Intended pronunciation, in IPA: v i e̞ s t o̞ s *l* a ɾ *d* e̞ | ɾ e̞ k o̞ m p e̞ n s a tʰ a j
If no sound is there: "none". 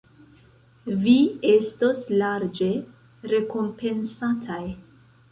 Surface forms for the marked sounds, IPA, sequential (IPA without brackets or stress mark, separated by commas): l, d͡ʒ